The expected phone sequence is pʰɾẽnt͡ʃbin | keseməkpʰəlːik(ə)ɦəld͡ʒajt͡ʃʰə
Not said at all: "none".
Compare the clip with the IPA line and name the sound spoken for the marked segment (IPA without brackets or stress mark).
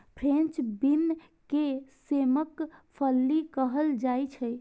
ə